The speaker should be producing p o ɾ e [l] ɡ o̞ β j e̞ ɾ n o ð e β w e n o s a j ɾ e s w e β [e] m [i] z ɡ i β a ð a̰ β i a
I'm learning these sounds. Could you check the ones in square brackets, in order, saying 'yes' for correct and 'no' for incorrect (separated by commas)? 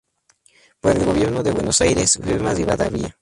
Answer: yes, yes, no